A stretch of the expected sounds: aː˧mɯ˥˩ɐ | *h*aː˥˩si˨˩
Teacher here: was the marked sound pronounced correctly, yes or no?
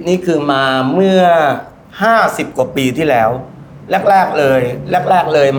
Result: yes